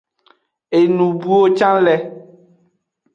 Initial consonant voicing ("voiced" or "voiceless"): voiced